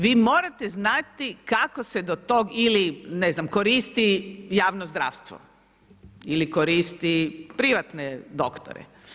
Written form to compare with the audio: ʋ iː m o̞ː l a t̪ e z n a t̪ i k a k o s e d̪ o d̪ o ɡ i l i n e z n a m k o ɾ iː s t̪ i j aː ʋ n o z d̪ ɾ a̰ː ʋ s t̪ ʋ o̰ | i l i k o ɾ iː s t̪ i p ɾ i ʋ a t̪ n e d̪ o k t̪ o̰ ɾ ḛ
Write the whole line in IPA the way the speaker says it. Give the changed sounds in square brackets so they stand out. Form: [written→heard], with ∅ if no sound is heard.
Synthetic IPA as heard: ʋ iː m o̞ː [l→ɾ] a t̪ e z n a t̪ i k a k o s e d̪ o [d̪→t̪] o ɡ i l i n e z n a m k o ɾ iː s t̪ i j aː ʋ n o z d̪ ɾ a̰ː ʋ s t̪ ʋ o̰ | i l i k o ɾ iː s t̪ i p ɾ i ʋ a t̪ n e d̪ o k t̪ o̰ ɾ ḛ